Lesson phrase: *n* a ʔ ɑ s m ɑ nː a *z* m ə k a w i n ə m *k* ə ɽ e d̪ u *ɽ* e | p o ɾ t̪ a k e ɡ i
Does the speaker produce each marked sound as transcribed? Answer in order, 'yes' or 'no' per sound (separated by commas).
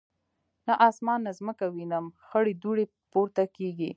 yes, yes, no, yes